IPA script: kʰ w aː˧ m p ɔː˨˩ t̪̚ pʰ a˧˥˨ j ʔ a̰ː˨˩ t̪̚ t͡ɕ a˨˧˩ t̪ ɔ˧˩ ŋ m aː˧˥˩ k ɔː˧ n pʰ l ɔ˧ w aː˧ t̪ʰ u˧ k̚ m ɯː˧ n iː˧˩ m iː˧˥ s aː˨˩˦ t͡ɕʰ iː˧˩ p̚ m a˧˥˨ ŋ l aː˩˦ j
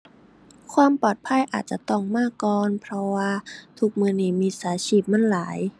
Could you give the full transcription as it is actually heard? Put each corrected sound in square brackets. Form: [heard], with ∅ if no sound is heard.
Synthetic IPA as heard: kʰ w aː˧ m p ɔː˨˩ t̪̚ pʰ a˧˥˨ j ʔ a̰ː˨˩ t̪̚ t͡ɕ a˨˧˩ t̪ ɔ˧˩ ŋ m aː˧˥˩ k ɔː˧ n pʰ [ɾ] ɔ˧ w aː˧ t̪ʰ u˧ k̚ m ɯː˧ n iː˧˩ m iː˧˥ s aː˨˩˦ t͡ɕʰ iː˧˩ p̚ m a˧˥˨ [n] l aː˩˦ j